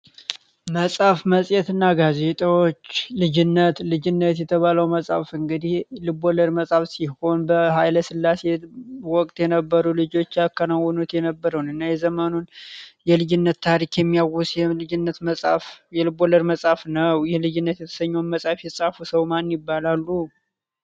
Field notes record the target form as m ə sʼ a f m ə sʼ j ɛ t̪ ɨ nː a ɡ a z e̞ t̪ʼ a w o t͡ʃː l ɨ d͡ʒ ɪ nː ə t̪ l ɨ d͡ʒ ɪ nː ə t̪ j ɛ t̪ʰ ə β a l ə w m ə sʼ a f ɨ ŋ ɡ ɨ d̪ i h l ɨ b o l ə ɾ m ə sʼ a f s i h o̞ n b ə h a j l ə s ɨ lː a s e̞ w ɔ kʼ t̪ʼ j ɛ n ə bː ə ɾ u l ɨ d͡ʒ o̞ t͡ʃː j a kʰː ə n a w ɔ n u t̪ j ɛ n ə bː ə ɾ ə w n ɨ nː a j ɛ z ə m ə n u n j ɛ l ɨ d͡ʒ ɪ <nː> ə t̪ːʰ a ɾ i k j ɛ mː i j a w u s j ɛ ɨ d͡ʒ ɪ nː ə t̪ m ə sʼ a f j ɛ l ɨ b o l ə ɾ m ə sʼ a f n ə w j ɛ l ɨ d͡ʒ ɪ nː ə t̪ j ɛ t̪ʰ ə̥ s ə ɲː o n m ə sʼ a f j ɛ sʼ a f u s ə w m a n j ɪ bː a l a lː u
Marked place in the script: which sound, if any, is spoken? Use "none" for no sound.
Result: nː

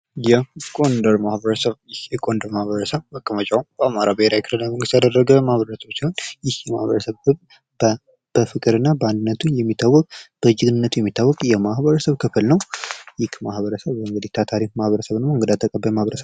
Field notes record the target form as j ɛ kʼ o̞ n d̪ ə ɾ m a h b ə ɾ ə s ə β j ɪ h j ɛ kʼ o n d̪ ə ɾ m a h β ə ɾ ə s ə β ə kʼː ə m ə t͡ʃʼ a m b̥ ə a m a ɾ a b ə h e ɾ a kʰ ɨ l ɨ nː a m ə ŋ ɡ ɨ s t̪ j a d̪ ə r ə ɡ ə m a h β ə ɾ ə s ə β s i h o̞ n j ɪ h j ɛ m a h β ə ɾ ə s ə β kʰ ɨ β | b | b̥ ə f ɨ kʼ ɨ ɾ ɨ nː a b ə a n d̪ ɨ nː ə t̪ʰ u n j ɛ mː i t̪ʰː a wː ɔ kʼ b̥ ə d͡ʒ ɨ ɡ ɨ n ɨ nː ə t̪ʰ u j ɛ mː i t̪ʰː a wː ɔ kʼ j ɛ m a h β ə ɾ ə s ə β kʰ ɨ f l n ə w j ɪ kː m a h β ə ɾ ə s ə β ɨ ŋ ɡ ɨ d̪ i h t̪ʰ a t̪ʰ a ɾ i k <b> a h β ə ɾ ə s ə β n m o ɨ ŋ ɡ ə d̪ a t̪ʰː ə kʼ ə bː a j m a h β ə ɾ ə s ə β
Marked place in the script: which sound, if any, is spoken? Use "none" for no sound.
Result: m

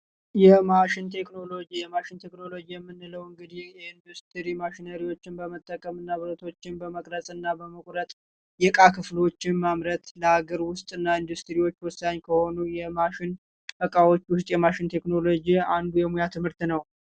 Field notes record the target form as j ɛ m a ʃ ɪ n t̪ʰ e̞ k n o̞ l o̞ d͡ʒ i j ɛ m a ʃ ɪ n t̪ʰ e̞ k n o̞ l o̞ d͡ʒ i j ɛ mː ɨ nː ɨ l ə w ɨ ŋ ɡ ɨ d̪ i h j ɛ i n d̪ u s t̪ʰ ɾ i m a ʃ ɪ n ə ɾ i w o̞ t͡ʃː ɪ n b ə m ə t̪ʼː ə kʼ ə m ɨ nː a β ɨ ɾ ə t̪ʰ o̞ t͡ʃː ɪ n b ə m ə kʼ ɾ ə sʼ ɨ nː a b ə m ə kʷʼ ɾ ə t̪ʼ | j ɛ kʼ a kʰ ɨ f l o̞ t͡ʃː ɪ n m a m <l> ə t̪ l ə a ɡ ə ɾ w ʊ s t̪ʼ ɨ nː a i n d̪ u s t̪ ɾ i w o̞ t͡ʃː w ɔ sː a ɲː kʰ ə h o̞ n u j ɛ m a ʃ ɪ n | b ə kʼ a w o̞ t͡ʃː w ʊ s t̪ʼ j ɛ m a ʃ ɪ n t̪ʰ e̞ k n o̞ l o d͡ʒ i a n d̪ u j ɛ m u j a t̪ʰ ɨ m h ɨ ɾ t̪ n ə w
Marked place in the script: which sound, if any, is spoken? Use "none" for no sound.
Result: ɾ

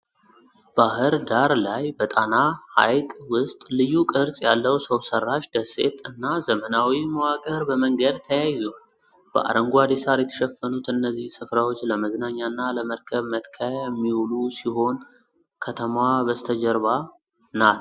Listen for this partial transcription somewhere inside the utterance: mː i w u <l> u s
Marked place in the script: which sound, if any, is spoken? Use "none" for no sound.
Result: l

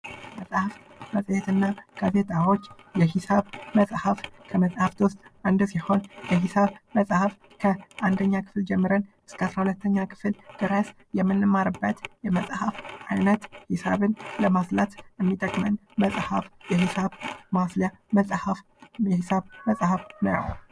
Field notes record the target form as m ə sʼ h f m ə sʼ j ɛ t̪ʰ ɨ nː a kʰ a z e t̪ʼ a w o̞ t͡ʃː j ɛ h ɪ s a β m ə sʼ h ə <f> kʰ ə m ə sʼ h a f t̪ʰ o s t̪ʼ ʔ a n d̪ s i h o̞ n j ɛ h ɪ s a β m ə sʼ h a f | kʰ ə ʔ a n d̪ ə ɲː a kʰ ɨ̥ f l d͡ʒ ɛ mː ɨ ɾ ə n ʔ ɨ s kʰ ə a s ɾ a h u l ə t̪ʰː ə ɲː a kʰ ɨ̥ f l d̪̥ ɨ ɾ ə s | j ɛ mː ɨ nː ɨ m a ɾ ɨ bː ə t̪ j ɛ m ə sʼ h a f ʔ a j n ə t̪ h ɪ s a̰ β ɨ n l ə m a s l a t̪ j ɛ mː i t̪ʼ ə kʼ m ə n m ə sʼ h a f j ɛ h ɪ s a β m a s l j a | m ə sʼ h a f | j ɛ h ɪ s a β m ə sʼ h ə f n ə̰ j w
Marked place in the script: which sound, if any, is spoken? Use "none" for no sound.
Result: f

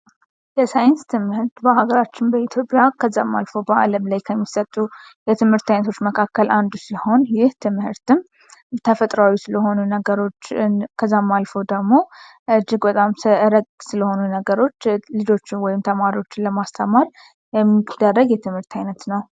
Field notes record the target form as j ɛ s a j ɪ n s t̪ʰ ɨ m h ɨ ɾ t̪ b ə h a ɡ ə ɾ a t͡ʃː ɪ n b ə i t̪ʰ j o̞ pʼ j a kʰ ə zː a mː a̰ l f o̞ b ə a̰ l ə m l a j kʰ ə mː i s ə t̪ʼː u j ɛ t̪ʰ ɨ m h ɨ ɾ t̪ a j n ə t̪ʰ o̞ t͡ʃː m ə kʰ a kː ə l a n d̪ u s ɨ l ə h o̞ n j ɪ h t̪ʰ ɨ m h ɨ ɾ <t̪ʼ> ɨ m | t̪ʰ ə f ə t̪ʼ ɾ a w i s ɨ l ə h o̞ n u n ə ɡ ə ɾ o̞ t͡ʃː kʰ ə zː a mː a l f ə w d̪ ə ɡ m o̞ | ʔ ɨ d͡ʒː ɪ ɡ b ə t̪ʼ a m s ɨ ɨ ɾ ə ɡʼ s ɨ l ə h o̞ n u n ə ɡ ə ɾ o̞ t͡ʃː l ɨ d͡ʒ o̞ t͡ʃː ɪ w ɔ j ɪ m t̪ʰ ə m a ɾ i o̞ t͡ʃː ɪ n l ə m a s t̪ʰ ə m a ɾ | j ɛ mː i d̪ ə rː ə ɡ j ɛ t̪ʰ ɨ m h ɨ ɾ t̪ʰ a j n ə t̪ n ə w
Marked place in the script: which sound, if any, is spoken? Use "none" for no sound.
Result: t̪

